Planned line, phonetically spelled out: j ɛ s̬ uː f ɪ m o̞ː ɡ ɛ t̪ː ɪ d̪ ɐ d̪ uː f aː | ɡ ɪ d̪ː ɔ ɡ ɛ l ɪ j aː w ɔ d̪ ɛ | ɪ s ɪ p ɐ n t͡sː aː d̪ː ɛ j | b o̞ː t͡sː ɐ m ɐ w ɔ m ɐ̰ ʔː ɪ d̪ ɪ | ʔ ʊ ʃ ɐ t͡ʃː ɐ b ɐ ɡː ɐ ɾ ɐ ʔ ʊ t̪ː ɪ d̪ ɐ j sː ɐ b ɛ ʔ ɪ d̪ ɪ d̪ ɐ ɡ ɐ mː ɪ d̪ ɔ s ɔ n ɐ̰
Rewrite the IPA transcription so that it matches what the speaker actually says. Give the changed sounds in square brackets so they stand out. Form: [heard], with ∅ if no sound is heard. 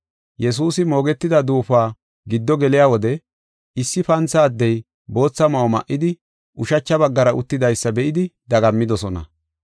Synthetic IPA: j ɛ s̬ uː [s] ɪ m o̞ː ɡ ɛ t̪ː ɪ d̪ ɐ d̪ uː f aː | ɡ ɪ d̪ː ɔ ɡ ɛ l ɪ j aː w ɔ d̪ ɛ | ɪ [sː] ɪ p ɐ n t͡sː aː d̪ː ɛ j | b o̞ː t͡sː ɐ m ɐ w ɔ m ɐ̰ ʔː ɪ d̪ ɪ | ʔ ʊ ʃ ɐ t͡ʃː ɐ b ɐ ɡː ɐ ɾ ɐ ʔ ʊ t̪ː ɪ d̪ ɐ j sː ɐ b ɛ ʔ ɪ d̪ ɪ d̪ ɐ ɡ ɐ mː ɪ d̪ ɔ s ɔ n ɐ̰